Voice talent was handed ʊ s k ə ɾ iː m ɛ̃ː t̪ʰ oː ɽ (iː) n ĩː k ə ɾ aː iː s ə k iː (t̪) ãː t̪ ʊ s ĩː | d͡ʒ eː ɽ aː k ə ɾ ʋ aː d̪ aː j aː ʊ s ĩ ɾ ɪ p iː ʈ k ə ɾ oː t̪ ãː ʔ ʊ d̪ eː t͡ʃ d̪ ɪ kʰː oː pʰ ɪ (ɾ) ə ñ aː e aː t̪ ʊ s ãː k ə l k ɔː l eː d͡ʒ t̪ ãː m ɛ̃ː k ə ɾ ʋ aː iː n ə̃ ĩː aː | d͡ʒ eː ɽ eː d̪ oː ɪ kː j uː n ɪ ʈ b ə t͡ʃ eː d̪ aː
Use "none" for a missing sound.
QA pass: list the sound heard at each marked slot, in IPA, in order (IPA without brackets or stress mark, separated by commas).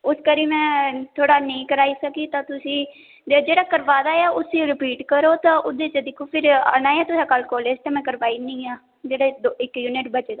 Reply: aː, t̪, ɾ